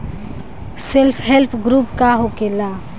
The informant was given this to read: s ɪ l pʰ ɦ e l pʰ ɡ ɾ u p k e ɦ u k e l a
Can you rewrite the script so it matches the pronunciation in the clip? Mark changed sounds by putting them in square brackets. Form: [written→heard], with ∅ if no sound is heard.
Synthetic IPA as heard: s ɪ l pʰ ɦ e l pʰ ɡ ɾ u p k [e→a] ɦ [u→o] k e l a

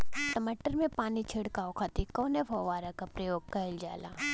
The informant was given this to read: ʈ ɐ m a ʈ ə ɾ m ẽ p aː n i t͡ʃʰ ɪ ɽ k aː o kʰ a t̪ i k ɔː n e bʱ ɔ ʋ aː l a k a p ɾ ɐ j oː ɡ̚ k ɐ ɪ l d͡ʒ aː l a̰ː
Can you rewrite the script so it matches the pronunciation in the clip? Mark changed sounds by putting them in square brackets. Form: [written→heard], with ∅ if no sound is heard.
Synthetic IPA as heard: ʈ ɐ m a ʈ ə ɾ m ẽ p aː n i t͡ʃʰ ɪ ɽ k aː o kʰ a t̪ i k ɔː n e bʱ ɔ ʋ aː [l→ɾ] a k a p ɾ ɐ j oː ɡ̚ k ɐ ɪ l d͡ʒ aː l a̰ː

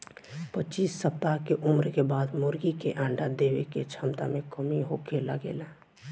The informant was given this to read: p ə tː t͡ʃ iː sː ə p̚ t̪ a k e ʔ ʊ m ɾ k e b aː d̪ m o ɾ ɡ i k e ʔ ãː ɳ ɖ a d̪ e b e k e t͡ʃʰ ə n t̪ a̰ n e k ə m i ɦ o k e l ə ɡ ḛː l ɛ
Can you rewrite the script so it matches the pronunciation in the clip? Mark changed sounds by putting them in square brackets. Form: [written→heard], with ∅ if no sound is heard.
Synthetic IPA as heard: p ə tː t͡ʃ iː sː ə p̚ t̪ a k e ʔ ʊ m ɾ k e b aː d̪ m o ɾ ɡ i k e ʔ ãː ɳ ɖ a d̪ e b e k e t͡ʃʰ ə [n→m] t̪ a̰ [n→m] e k ə m i ɦ o k e l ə ɡ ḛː l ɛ

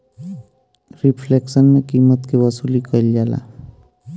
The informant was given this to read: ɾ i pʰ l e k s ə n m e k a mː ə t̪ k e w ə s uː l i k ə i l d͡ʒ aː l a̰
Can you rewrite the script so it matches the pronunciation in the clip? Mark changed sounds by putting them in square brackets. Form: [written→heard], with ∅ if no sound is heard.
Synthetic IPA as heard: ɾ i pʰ l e k s ə n m e k [a→i] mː ə t̪ k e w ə s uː l i k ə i l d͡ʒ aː l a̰

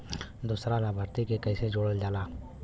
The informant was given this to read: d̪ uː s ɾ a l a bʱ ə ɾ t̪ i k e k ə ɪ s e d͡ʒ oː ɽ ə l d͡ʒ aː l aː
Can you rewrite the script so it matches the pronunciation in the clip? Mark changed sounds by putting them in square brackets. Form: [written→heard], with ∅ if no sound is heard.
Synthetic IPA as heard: d̪ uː s ɾ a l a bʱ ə ɾ t̪ i k e k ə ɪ s e d͡ʒ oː ɽ ə l d͡ʒ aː l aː

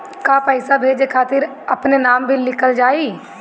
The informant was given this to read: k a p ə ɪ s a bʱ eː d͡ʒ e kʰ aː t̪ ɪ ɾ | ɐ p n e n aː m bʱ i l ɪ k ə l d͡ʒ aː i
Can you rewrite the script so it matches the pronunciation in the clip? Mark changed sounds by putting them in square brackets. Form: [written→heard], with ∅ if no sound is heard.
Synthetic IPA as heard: k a p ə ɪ s a bʱ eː d͡ʒ e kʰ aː t̪ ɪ ɾ | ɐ p n e n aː m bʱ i l ɪ k ə l d͡ʒ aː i

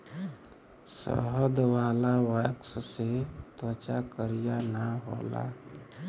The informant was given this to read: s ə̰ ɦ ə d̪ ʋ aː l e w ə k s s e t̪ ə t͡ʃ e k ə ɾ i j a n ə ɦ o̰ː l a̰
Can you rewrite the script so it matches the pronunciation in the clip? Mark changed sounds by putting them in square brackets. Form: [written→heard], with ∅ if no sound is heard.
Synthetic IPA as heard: s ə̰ ɦ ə d̪ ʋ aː l [e→a] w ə k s s e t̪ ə t͡ʃ [e→a] k ə ɾ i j a n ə ɦ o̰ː l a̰

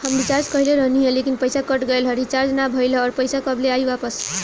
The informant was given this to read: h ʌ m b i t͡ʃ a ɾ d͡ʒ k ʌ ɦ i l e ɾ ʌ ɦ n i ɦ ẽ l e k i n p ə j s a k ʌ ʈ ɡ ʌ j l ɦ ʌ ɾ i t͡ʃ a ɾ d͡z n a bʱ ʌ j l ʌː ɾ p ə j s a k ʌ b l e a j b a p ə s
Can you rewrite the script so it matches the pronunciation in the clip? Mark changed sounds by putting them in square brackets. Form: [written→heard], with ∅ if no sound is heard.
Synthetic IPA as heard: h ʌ m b i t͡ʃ a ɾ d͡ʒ k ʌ ɦ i l e ɾ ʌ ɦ n i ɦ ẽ l e k i n p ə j s a k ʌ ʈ ɡ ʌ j l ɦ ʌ ɾ i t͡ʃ a ɾ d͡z n a bʱ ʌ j l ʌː ɾ p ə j s a k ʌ b l e a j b a p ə s

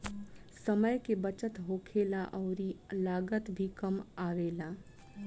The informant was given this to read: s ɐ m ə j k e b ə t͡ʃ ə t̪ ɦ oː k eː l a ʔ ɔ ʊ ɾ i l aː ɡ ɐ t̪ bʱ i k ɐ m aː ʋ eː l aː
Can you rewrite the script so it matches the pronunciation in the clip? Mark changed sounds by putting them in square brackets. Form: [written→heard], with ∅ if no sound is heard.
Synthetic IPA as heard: s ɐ m ə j k e b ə t͡ʃ ə t̪ ɦ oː [k→kʰ] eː l a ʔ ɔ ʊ ɾ i l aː ɡ [ɐ→ə] t̪ bʱ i k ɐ m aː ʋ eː l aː

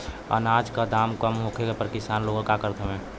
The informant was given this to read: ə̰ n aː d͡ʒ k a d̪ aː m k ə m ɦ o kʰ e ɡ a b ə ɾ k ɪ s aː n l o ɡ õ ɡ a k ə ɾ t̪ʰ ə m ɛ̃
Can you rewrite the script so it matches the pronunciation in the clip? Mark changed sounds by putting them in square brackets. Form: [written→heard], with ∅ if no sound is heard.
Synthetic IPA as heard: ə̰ n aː d͡ʒ k a d̪ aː m k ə m ɦ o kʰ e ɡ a [b→p] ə ɾ k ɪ s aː n l o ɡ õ [ɡ→k] a k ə ɾ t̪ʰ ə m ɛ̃

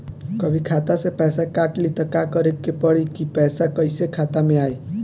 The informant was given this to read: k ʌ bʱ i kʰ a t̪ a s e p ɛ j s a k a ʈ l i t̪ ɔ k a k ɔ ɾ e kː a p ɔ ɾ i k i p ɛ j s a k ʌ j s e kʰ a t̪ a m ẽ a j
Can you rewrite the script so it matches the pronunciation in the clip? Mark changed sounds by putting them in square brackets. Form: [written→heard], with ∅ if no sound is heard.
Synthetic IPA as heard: k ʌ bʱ i kʰ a t̪ a s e p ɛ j s a k a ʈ l i t̪ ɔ k a k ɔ ɾ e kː [a→e] p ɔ [ɾ→ɽ] i k i p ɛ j s a k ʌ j s e kʰ a t̪ a m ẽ a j

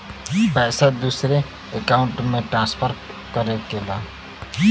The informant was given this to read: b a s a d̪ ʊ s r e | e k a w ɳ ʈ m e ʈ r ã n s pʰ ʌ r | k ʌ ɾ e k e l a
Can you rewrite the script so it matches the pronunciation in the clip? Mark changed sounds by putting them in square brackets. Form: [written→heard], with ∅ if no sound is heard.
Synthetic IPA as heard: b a s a d̪ [ʊ→u] s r e | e k a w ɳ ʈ m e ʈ r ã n s pʰ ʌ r | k ʌ ɾ e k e l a

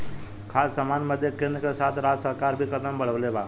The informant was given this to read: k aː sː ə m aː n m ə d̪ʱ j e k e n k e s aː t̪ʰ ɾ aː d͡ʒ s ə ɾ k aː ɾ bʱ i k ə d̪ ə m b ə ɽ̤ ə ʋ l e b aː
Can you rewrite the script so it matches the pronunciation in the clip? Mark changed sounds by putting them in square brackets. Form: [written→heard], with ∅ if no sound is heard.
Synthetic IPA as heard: [k→kʰ] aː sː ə m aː n m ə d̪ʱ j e k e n k e s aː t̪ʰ ɾ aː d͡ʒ s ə ɾ k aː ɾ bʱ i k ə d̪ ə m b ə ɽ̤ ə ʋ l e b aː

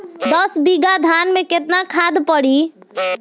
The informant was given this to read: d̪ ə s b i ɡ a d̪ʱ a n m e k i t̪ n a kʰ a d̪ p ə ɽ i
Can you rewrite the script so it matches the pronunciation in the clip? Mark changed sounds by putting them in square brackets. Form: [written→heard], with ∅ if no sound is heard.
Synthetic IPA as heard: d̪ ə s b i ɡ a d̪ʱ a n m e k [i→e] t̪ n a kʰ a d̪ p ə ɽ i

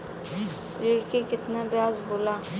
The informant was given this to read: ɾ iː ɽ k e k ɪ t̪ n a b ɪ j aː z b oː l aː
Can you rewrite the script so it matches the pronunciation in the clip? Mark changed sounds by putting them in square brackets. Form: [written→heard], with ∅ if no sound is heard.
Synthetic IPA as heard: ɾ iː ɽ k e k ɪ t̪ n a b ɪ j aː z b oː l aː

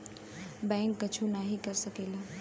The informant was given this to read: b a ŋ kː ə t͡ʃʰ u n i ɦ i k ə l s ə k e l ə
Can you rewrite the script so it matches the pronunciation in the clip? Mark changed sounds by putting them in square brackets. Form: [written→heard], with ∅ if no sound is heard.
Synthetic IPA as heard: b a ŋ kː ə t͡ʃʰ u n [i→a] ɦ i k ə [l→ɾ] s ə k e l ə

